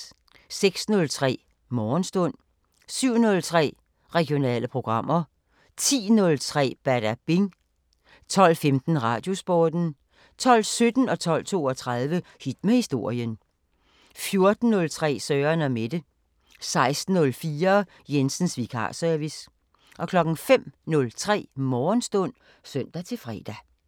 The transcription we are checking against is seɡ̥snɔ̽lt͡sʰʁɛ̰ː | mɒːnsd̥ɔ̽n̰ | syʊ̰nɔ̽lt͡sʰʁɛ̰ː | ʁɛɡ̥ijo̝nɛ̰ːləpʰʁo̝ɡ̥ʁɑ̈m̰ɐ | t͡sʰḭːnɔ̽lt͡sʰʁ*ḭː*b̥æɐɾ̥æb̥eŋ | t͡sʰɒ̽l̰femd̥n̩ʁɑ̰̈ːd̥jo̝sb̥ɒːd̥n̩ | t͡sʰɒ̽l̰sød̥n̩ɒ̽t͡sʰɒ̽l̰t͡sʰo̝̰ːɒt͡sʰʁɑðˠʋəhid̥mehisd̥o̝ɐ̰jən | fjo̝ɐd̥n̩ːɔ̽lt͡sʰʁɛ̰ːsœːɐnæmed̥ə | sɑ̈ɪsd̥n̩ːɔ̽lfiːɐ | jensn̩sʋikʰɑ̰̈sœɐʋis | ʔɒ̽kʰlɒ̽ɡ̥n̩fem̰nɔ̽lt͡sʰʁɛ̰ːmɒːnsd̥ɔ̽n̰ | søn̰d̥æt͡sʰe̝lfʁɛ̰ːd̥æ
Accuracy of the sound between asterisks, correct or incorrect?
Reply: incorrect